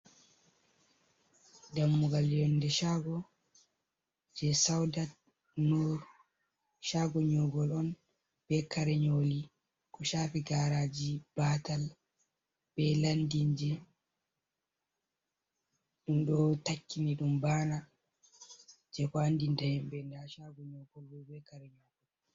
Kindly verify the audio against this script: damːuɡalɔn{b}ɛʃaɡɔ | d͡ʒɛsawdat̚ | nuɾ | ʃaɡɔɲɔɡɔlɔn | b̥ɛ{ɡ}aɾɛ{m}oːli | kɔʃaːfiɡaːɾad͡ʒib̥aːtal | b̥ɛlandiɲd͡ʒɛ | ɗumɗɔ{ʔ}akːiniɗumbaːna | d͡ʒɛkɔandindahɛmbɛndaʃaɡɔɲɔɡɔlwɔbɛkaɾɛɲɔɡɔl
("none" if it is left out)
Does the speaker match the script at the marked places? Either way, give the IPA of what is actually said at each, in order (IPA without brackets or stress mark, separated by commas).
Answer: d, k, ɲ, t